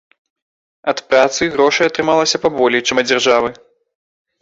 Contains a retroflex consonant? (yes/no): yes